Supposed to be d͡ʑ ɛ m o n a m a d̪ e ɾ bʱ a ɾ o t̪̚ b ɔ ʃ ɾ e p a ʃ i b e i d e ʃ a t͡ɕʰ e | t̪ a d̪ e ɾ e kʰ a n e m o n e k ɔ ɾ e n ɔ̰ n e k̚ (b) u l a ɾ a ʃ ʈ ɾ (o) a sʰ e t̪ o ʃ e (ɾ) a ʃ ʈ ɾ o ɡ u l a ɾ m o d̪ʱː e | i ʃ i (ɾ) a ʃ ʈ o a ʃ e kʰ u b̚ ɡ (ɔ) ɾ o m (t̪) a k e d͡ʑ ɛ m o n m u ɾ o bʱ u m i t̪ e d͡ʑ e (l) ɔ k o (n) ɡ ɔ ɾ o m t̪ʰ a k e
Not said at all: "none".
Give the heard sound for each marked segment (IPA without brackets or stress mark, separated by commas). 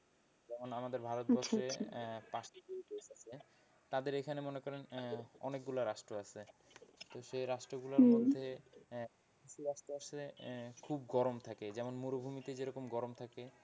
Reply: ɡ, o, ɾ, ɾ, ɔ, t̪ʰ, ɾ, m